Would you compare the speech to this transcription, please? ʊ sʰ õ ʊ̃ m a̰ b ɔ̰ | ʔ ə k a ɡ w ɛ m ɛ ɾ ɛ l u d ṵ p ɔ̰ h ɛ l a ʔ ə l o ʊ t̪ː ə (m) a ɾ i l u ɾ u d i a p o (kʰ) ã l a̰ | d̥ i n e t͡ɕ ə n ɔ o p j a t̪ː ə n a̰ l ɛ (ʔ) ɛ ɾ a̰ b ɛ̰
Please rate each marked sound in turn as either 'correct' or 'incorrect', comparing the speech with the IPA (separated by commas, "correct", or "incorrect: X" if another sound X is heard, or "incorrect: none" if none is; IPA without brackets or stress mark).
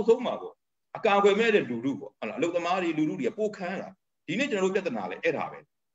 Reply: correct, correct, correct